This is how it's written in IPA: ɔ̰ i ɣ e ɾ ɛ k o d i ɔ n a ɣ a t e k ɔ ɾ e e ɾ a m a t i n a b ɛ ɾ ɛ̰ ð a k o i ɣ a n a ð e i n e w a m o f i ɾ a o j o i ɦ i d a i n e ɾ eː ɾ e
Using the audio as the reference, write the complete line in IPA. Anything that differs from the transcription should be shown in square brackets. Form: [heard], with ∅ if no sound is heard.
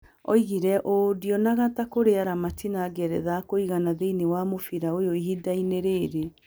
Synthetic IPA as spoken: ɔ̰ i ɣ [i] ɾ ɛ [ʔ] o d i ɔ n a ɣ a t [a] k [o] ɾ e [a] ɾ a m a t i n a [ɡ] ɛ ɾ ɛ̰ ð a k o i ɣ a n a ð e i n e w a m o f i ɾ a o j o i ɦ i d a i n e ɾ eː ɾ e